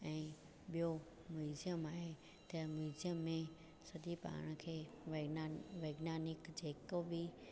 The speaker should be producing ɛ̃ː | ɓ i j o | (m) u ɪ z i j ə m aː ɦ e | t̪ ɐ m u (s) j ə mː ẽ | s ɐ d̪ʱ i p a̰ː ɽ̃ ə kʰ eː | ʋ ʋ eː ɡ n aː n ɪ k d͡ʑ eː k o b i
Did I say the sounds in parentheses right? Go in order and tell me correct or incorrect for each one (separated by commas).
correct, incorrect